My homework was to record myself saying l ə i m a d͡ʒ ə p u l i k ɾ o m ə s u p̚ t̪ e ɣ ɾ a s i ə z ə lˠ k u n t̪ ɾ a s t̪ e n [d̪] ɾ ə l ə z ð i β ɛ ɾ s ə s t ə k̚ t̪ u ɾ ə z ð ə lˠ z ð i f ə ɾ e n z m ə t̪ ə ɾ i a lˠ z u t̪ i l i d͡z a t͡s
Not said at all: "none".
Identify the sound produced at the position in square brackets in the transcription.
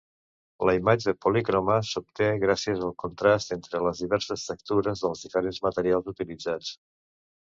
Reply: t̪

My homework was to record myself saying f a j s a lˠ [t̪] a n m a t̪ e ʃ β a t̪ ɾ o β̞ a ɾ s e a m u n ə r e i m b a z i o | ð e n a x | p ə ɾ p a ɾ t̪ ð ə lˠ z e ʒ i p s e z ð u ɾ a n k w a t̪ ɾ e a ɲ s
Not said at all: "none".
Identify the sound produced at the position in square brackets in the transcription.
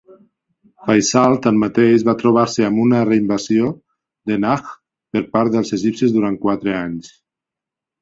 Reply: t̪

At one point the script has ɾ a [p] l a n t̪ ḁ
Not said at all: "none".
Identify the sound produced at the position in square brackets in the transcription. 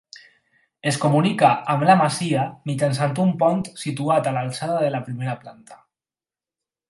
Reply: p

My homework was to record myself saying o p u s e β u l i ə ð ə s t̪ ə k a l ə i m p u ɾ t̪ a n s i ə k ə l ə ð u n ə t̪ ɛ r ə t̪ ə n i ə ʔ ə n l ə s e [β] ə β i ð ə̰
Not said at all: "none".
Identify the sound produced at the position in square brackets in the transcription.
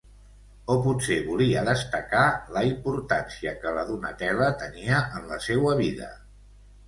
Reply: w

